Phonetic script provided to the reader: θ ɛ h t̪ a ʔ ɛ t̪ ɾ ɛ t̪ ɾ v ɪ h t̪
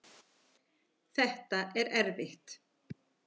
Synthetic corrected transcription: θ ɛ h t̪ a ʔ ɛ ɾ ɛ ɾ v ɪ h t̪